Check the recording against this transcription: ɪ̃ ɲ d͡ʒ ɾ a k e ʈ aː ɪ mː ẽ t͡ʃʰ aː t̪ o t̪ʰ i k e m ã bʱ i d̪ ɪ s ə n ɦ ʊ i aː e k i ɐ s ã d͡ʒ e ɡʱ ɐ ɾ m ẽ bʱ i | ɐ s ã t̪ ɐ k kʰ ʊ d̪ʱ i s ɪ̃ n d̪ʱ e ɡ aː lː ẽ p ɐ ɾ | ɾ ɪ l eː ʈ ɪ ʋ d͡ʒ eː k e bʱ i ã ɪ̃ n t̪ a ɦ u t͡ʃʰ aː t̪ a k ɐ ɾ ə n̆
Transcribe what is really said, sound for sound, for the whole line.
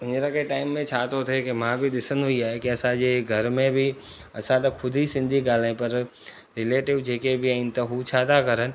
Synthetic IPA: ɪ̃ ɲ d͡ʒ ɾ a k e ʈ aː ɪ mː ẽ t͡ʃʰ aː t̪ o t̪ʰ e k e m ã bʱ i d̪ ɪ s ə n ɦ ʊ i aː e k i ɐ s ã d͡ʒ e ɡʱ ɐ ɾ m ẽ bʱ i | ɐ s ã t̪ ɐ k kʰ ʊ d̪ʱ i s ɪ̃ n d̪ʱ i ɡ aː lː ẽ p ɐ ɾ | ɾ ɪ l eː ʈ ɪ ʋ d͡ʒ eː k e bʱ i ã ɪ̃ n t̪ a ɦ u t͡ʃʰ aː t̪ a k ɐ ɾ ə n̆